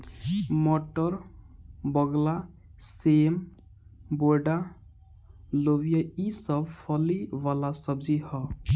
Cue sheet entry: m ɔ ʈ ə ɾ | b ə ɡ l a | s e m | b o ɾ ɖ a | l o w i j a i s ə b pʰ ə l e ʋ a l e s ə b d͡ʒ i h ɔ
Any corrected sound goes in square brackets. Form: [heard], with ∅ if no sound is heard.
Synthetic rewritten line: m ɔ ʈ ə ɾ | b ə ɡ l a | s e m | b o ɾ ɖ a | l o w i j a i s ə b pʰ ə l [i] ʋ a l [a] s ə b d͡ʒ i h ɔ